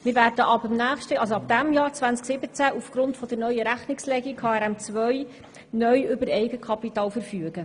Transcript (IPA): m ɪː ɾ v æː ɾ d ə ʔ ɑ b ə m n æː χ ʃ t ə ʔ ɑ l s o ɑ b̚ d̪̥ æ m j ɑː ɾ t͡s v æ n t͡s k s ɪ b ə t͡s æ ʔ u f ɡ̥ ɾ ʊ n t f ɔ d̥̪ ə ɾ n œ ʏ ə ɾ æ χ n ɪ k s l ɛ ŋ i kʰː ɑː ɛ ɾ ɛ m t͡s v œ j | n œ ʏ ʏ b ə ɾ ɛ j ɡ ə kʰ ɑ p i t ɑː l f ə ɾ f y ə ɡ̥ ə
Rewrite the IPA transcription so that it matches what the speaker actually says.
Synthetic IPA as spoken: m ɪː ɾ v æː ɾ d ə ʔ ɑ b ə m n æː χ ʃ t ə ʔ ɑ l s o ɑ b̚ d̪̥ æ m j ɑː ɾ t͡s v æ n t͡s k s ɪ b ə t͡s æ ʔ u f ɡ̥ ɾ ʊ n t f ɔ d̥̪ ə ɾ n œ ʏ ə ɾ æ χ n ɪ k s l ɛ ɡ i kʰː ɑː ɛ ɾ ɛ m t͡s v œ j | n œ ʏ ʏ b ə ɾ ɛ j ɡ ə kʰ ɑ p i t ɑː l f ə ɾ f y ə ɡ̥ ə

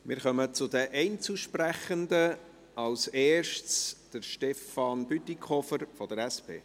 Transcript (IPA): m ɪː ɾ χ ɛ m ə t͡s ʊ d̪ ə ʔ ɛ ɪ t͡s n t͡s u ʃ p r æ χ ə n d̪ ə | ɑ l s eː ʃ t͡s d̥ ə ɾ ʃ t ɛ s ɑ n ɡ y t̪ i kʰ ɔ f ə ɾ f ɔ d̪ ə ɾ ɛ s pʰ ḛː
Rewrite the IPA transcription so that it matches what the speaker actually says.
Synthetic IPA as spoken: m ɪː ɾ χ œ m ə t͡s ʊ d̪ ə ʔ ɛ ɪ n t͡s u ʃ p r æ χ ə n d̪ ə | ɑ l s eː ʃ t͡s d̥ ə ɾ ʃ t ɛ f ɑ n b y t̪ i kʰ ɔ f ə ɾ f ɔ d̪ ə ɾ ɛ s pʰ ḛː

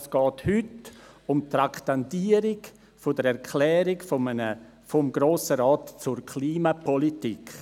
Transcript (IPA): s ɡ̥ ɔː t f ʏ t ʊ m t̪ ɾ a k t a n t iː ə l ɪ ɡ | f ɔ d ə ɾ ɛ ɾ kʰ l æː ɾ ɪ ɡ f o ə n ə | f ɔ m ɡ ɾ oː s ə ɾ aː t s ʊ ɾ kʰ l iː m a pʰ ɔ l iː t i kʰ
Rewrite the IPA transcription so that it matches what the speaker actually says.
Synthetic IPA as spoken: s ɡ̥ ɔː t h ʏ t ʊ m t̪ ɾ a k t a n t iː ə ɾ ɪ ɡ | f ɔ d ə ɾ ɛ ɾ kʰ l ɛː ɾ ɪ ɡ f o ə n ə | f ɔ m ɡ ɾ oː s ə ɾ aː t t͡s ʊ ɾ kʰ l iː m a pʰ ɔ l i t i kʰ

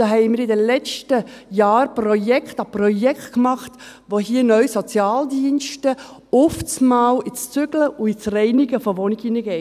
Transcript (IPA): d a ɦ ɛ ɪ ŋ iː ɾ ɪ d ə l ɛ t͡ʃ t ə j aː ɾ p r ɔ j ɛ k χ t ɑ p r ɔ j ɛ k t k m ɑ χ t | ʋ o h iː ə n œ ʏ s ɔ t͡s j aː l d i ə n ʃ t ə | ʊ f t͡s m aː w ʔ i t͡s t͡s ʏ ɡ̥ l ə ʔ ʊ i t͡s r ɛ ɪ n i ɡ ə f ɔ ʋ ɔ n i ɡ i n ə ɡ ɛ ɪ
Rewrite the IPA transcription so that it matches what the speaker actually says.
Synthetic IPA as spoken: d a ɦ ɛ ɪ m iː ɾ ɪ d ə l ɛ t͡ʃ t ə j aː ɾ p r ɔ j ɛ k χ t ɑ p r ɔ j ɛ k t k m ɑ χ t | ʋ o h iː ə n œ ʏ s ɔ t͡s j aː l d i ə n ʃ t ə | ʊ f t͡s m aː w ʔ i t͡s t͡s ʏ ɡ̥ l ə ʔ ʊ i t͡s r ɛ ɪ n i ɡ ə f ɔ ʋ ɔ n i ɡ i n ə ɡ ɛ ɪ

